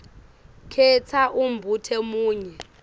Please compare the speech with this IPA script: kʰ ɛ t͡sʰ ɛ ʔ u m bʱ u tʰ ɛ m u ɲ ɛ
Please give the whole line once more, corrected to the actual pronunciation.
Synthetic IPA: kʰ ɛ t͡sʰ a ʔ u m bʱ u tʰ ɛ m uː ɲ ɛ